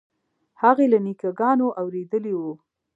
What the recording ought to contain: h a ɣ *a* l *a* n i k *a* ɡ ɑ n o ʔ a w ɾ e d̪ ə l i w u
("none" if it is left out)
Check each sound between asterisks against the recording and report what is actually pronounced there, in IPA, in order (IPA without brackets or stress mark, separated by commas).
e, a, a